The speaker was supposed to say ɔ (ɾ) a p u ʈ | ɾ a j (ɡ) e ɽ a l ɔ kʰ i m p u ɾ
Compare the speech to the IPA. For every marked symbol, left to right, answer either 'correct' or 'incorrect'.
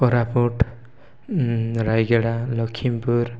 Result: correct, correct

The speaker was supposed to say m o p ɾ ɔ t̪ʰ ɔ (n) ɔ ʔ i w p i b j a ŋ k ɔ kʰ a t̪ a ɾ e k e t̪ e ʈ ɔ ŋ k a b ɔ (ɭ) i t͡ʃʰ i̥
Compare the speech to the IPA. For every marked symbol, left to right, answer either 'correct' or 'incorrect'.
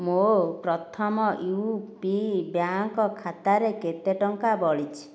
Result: incorrect, correct

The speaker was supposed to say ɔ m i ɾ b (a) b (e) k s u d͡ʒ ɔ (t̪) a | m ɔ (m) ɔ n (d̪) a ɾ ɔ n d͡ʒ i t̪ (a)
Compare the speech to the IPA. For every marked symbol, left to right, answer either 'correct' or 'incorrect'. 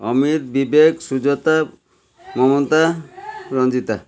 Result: incorrect, correct, correct, correct, incorrect, correct

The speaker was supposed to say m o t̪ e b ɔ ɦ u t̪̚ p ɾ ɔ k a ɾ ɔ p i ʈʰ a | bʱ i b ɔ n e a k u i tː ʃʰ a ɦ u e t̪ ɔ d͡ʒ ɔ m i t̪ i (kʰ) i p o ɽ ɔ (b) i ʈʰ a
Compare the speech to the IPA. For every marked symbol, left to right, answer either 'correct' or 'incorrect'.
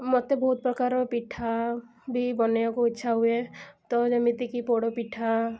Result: incorrect, incorrect

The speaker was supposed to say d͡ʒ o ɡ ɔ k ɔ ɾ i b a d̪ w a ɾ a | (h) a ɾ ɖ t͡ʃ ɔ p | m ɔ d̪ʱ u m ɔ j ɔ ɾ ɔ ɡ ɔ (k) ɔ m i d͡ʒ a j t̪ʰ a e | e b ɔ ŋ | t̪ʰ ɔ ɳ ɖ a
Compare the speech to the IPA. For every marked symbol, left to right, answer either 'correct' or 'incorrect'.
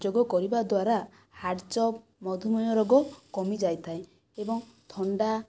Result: correct, correct

